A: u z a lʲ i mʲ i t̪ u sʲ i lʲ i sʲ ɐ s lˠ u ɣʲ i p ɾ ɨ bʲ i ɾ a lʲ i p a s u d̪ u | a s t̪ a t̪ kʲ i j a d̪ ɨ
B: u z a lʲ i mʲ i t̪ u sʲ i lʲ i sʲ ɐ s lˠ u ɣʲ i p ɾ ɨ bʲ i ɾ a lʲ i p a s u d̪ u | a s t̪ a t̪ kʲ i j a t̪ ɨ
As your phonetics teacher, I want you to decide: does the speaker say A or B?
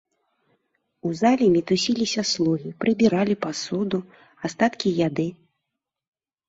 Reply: A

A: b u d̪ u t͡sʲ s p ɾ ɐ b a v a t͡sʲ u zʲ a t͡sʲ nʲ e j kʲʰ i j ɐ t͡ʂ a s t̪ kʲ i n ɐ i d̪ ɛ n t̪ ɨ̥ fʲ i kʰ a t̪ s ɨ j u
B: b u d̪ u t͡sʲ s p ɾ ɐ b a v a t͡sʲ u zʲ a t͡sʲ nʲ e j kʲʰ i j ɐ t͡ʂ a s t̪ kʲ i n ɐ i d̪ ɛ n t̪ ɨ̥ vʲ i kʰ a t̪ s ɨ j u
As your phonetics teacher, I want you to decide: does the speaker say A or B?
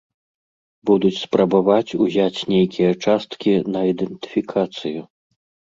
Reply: A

